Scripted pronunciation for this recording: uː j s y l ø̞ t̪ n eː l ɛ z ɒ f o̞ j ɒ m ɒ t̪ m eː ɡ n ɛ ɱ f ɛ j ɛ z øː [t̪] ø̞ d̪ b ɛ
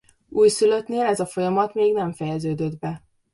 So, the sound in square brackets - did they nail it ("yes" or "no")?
no